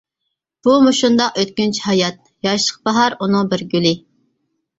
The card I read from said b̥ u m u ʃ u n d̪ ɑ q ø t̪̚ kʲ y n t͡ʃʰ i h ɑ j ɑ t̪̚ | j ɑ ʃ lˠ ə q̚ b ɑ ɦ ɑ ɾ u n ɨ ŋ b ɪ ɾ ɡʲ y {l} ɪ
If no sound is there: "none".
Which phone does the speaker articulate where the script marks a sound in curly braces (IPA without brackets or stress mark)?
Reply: l